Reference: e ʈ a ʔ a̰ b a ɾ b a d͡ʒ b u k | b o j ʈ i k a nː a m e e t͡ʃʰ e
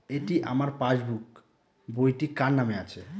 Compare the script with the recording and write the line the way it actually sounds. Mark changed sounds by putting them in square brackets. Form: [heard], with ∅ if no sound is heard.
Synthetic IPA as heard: e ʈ [i] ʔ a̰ [m] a ɾ [p] a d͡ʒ b u k | b o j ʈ i k a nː a m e [a] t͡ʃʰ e